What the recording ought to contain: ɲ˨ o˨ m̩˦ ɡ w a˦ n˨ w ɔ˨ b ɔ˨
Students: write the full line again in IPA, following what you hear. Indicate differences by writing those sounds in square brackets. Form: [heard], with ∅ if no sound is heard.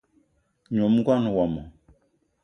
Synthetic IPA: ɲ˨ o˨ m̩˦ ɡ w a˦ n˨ w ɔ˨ [m] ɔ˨